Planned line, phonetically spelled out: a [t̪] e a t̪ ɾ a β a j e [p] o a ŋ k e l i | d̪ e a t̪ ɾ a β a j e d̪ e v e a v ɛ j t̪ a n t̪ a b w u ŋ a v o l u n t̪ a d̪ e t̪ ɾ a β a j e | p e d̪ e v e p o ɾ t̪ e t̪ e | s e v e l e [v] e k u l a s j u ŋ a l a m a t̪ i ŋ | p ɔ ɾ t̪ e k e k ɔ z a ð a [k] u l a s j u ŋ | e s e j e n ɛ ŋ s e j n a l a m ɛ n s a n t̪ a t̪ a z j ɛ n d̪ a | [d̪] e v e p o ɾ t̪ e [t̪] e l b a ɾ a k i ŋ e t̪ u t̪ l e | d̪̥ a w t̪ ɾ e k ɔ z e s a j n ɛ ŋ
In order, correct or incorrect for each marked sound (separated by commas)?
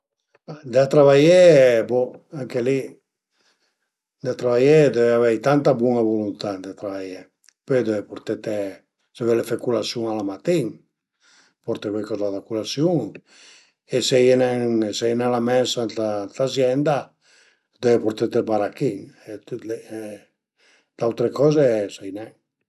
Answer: incorrect, incorrect, incorrect, correct, correct, correct